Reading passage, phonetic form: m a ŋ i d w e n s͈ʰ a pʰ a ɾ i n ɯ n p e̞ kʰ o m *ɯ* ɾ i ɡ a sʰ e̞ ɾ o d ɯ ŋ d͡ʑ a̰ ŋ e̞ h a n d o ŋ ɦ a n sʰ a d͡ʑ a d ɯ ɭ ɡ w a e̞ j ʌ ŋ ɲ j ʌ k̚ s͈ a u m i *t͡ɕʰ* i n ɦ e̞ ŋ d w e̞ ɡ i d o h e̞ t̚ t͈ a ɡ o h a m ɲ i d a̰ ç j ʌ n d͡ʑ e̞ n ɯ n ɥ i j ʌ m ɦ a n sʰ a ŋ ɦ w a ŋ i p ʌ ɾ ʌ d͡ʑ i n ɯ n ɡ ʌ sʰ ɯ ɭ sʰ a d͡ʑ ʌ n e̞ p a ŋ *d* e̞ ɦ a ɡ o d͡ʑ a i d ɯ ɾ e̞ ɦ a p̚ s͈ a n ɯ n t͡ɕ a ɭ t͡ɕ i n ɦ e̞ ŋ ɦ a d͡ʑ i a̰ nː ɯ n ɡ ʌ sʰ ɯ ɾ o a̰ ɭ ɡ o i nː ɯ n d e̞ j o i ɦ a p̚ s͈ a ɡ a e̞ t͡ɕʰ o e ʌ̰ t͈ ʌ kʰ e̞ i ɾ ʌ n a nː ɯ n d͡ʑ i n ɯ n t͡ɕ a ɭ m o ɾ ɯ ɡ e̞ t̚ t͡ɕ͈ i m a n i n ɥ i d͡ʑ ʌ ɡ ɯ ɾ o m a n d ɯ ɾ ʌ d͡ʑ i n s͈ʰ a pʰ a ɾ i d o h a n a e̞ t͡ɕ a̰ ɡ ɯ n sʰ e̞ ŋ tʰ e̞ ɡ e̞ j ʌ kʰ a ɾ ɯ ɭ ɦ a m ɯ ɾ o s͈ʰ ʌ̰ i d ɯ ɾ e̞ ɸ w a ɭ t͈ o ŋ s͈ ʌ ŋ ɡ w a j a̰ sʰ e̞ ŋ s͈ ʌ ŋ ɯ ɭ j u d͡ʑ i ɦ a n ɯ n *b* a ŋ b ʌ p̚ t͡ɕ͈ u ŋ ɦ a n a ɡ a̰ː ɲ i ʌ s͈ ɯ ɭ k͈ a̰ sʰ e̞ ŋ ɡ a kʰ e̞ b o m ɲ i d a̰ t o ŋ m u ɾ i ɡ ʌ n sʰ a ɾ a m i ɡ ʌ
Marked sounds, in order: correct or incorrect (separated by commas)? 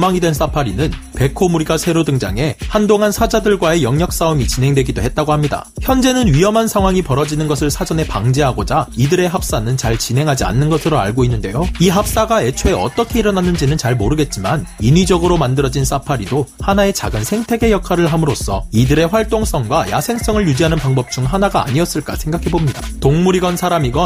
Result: incorrect, incorrect, incorrect, incorrect